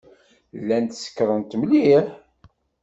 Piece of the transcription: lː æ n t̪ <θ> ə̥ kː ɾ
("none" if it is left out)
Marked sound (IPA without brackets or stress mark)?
s